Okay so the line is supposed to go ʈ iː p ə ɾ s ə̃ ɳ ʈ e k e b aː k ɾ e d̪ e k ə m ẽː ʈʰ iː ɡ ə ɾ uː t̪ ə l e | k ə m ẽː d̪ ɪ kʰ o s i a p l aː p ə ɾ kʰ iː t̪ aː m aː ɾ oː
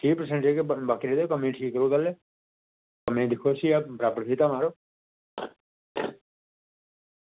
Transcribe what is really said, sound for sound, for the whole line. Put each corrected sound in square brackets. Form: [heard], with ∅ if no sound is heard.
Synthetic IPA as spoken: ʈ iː p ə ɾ s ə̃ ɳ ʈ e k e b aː k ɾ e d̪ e k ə m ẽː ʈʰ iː [k] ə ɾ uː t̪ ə l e | k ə m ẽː d̪ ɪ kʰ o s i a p [ɾ] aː p ə ɾ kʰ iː t̪ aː m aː ɾ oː